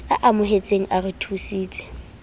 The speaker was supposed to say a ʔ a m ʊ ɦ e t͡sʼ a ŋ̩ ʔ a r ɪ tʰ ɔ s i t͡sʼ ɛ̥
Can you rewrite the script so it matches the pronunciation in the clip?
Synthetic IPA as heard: a ʔ a m ʊ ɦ e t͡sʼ e ŋ̩ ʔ a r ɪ tʰ u s iː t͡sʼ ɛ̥